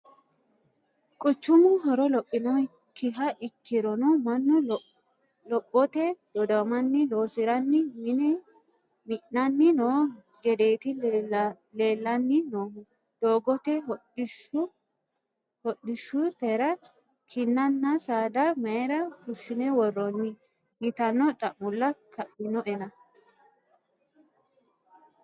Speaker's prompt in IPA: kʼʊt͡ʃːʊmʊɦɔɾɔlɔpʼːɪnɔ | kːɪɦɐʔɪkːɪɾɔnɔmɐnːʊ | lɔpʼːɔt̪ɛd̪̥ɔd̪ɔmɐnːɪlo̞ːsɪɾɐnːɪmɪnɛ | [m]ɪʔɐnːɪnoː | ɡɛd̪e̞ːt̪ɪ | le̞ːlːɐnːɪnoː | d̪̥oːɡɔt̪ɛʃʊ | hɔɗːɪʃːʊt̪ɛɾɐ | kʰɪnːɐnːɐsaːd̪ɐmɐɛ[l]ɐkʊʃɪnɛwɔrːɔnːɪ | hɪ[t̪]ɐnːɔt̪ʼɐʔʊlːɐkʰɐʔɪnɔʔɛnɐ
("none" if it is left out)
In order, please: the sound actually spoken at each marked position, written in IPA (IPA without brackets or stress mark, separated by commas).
m, ɾ, t̪